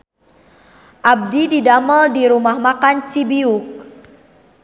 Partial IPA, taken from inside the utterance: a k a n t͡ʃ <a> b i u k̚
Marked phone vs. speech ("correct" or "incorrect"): incorrect